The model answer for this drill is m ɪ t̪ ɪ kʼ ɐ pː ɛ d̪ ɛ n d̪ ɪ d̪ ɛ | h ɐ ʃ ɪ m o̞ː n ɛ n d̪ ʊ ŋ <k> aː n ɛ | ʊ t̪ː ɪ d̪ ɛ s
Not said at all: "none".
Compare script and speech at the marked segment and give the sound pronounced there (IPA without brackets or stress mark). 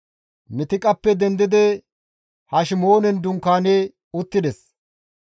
k